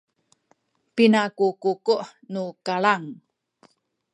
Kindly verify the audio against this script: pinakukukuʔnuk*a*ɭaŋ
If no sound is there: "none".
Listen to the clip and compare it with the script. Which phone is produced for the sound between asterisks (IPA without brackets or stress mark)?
a